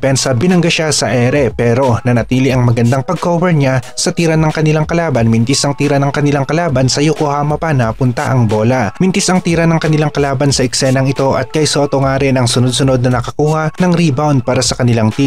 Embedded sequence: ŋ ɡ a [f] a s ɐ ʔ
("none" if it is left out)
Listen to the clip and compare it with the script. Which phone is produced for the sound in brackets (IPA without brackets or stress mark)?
ʃ